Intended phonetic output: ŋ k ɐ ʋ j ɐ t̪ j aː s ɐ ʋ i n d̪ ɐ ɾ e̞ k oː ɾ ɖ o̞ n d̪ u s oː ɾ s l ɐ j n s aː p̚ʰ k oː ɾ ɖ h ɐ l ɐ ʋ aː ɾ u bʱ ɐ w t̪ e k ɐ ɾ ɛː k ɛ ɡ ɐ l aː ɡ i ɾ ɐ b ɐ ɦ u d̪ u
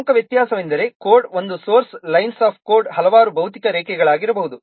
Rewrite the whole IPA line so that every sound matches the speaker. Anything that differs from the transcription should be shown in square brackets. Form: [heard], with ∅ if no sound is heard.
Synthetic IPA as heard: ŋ k ɐ ʋ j ɐ t̪ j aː s ɐ ʋ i n d̪ ɐ ɾ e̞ k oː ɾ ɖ o̞ n d̪ u s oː ɾ s l ɐ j n s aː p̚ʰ k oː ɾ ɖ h ɐ l ɐ ʋ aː ɾ u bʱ ɐ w t̪ [i] k ɐ ɾ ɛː k ɛ ɡ ɐ [ɭ] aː ɡ i ɾ ɐ b ɐ ɦ u d̪ u